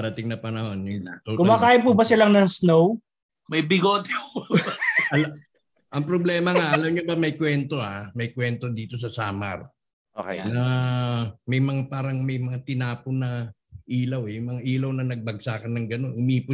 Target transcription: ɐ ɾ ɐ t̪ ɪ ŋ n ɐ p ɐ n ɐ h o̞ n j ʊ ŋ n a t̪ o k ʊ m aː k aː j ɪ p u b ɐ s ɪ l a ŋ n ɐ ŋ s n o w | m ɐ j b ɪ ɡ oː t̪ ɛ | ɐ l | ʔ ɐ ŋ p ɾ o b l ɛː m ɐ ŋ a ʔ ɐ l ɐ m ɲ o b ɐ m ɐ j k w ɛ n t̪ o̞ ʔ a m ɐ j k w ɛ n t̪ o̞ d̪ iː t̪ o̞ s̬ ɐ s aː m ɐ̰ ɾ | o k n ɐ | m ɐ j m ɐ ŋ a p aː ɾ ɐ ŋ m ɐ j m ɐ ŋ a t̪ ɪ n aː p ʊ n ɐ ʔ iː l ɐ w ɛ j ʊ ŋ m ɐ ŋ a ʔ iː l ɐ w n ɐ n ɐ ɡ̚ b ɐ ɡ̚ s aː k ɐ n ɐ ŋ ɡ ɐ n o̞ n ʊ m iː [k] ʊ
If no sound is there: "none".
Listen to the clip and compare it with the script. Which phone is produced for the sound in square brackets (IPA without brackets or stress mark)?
p